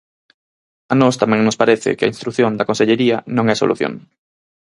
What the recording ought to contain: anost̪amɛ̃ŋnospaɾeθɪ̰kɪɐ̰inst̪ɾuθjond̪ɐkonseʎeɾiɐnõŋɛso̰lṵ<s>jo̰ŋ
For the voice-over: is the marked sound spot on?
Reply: no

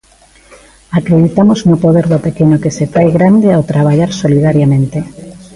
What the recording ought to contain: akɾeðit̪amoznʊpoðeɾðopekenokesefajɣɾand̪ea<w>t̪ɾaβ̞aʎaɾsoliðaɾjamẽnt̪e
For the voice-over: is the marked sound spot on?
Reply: yes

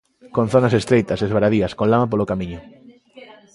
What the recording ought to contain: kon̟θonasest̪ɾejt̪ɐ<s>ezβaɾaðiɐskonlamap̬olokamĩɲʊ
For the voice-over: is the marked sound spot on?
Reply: yes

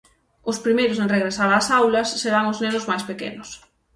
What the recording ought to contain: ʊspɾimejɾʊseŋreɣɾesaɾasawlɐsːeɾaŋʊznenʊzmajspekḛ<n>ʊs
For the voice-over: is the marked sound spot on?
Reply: yes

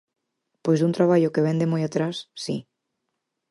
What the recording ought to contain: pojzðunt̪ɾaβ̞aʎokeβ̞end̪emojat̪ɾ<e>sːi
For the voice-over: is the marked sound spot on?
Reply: no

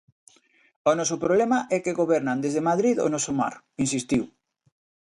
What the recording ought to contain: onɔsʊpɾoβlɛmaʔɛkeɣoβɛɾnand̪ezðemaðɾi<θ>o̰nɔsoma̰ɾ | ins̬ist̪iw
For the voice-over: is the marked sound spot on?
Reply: no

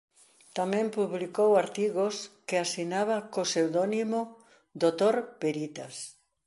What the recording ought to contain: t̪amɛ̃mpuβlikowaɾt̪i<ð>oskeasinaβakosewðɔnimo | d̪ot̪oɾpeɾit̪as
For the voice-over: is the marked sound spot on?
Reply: no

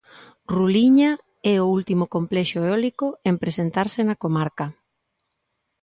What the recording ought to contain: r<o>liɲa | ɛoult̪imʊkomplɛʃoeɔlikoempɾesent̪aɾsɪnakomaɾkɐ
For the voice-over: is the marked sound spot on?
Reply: no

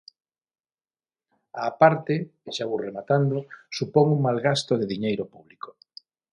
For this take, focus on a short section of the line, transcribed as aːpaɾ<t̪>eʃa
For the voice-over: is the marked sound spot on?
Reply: yes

